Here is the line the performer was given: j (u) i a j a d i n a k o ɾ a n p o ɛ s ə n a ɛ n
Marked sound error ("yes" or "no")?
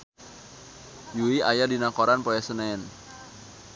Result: no